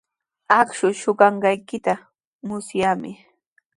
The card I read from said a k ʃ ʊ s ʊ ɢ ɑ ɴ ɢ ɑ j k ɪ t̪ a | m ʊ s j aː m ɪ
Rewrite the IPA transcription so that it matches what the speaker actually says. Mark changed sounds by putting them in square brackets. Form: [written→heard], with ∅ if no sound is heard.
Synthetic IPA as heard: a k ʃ ʊ [s→ʃ] ʊ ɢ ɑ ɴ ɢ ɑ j k ɪ t̪ a | m ʊ s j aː m ɪ